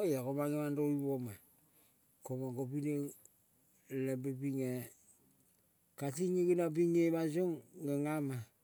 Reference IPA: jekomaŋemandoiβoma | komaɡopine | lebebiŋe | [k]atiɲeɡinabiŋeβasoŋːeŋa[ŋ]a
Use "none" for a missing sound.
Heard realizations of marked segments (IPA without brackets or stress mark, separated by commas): k, m